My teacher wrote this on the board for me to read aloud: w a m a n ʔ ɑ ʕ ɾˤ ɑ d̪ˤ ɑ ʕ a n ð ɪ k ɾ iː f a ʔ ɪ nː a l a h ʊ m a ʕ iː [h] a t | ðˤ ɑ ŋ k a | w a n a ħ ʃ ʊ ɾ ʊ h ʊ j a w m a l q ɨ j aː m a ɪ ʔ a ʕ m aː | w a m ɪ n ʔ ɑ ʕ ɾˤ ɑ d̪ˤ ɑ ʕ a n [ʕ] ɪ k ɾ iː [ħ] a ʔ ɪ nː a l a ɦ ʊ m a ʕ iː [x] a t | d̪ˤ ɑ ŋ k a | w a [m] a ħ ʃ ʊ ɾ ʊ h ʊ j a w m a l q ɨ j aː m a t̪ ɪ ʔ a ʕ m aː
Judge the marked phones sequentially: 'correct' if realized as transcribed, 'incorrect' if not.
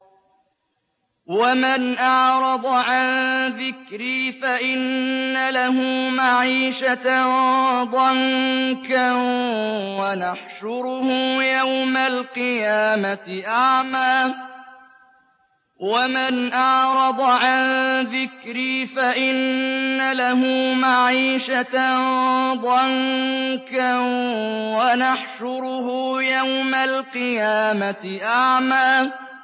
incorrect, incorrect, incorrect, incorrect, incorrect

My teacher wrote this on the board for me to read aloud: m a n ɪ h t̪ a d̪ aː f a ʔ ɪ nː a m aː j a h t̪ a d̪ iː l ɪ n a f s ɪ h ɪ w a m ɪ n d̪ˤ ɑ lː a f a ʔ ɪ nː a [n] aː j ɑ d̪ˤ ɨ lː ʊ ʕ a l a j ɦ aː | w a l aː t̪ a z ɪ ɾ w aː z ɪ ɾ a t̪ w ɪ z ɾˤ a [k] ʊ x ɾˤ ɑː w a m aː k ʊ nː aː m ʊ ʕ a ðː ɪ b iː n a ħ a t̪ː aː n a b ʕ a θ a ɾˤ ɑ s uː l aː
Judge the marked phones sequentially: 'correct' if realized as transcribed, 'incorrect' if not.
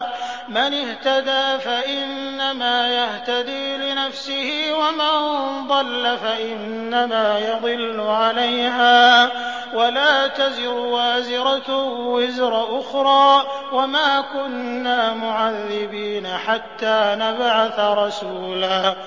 incorrect, incorrect

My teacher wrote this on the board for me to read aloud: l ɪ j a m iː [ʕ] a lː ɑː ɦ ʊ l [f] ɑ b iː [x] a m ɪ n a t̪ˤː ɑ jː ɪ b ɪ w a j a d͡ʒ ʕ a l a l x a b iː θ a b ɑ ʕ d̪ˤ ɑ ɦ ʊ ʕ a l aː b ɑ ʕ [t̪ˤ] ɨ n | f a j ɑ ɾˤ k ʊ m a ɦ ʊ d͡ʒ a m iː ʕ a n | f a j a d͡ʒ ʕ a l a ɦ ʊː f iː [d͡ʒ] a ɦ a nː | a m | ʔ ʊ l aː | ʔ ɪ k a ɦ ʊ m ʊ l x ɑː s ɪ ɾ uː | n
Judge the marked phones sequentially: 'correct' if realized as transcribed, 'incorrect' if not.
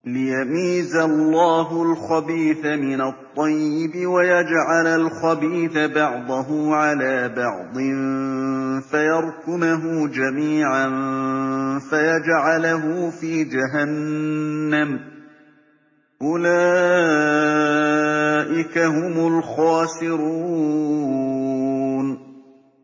incorrect, incorrect, incorrect, incorrect, correct

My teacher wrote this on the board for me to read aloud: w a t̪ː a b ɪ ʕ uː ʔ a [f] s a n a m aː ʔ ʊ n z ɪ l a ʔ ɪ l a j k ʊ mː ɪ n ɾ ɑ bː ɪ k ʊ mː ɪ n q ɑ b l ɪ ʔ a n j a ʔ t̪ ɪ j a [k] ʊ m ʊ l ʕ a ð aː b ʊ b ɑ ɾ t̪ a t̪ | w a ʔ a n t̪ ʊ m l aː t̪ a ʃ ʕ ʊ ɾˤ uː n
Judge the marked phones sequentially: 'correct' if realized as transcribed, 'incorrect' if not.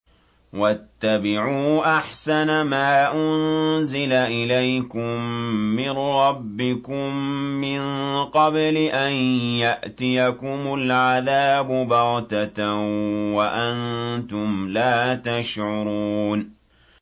incorrect, correct

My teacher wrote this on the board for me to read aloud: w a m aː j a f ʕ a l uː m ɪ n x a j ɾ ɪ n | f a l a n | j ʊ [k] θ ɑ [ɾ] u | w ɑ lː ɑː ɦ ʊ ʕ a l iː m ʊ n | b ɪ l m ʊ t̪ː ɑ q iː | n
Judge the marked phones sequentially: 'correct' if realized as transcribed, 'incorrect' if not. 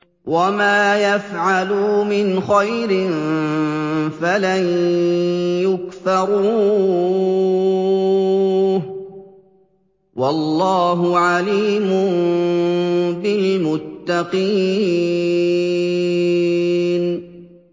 correct, correct

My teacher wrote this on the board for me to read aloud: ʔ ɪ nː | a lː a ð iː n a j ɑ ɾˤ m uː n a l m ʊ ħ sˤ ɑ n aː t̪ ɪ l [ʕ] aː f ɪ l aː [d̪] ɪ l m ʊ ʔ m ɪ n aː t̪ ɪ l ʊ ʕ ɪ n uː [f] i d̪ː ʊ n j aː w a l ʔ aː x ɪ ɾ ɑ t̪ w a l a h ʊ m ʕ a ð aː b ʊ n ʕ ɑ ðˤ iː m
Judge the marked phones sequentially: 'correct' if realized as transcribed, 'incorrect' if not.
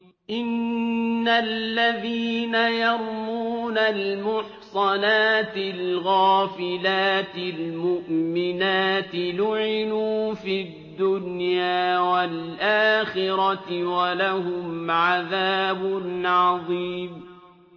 incorrect, incorrect, correct

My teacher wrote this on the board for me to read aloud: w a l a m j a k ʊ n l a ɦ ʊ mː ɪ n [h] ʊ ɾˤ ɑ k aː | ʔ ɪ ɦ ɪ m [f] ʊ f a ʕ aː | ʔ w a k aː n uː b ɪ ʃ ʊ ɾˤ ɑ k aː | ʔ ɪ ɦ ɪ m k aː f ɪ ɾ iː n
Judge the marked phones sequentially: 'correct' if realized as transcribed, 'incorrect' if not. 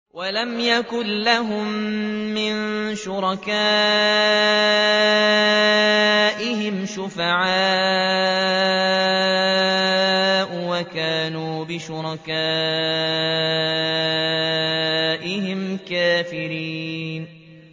incorrect, incorrect

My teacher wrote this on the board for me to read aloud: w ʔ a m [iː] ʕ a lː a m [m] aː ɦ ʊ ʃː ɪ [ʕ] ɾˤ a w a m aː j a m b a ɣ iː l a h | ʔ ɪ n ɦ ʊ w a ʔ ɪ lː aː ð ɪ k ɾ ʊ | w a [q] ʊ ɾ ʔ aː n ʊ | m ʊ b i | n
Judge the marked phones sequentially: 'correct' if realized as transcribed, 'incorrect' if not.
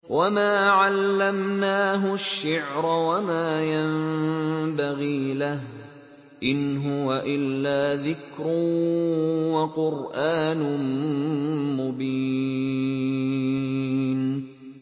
incorrect, incorrect, correct, correct

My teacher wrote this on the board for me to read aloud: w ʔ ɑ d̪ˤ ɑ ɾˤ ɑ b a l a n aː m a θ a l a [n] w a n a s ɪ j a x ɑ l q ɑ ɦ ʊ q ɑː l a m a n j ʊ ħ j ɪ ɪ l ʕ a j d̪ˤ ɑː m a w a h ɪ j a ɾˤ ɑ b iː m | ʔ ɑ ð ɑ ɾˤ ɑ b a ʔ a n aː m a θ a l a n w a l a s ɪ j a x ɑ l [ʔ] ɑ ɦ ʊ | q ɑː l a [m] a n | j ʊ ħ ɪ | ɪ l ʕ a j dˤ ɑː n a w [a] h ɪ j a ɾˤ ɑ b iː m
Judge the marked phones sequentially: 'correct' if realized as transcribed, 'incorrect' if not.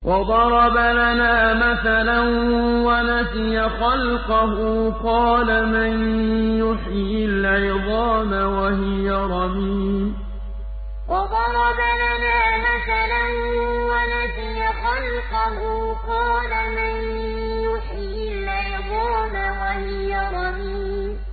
correct, incorrect, correct, correct

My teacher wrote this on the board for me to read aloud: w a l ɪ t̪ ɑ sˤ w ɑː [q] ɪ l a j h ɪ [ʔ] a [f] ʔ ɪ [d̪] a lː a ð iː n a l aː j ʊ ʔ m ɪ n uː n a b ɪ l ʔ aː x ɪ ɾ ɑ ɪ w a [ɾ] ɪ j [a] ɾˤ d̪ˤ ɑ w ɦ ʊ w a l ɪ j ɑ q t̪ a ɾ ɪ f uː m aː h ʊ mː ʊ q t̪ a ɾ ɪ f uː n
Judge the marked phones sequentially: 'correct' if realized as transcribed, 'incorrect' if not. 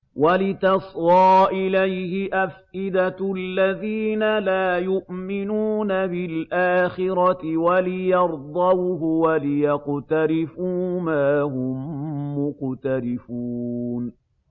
incorrect, correct, correct, correct, incorrect, incorrect

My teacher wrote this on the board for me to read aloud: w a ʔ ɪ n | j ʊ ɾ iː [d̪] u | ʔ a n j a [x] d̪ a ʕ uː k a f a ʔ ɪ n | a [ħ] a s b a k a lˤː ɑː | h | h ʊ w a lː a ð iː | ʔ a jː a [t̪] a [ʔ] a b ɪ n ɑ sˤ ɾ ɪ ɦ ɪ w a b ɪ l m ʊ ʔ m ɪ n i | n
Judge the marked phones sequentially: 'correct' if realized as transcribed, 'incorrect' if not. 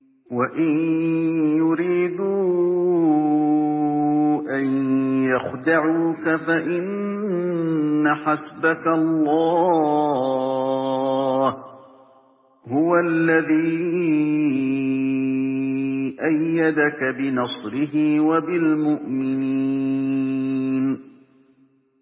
correct, correct, correct, incorrect, incorrect

